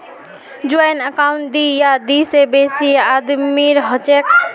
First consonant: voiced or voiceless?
voiced